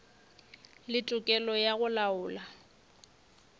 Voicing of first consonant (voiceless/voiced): voiced